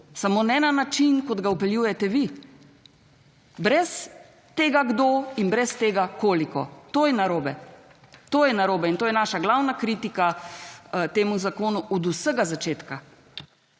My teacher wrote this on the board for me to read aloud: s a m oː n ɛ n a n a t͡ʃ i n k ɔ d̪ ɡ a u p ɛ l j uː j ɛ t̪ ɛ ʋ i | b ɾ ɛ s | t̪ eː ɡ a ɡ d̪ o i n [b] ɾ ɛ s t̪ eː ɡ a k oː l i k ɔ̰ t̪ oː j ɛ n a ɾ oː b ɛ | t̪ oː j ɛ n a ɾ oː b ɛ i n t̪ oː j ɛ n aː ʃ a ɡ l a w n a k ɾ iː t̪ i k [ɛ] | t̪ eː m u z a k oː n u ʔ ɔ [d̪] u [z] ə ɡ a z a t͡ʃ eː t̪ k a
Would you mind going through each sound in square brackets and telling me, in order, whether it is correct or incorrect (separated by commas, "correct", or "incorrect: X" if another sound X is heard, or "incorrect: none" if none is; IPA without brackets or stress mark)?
correct, incorrect: a, correct, incorrect: s